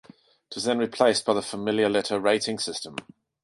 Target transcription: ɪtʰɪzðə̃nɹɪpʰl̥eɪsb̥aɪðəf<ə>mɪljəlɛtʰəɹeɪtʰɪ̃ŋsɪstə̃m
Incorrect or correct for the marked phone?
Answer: correct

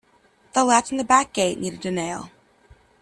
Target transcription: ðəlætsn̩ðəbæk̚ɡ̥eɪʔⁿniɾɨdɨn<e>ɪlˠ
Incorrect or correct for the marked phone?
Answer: correct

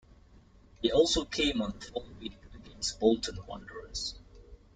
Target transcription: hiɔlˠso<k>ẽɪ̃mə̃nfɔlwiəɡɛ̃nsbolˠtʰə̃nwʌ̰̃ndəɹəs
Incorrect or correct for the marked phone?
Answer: incorrect: kʰ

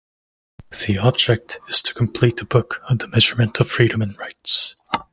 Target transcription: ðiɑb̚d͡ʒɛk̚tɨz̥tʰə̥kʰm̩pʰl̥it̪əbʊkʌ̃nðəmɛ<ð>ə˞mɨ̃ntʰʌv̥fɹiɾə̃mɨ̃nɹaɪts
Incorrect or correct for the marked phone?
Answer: incorrect: ʒ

